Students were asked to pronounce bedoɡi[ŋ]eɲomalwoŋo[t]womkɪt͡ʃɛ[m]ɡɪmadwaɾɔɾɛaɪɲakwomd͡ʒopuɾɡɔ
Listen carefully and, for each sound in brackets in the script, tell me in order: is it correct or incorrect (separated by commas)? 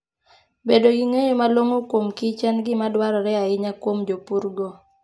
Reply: correct, incorrect, incorrect